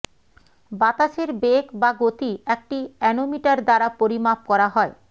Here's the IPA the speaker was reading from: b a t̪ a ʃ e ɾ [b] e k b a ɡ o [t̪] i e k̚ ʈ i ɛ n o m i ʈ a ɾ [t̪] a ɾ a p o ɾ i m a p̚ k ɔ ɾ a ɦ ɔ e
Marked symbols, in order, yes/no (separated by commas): yes, yes, no